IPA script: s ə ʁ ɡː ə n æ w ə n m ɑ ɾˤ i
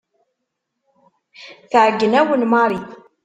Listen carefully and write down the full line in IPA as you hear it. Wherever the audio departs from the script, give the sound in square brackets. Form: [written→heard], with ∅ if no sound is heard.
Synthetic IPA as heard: [s→θ] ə [ʁ→ʕ] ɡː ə n æ w ə n m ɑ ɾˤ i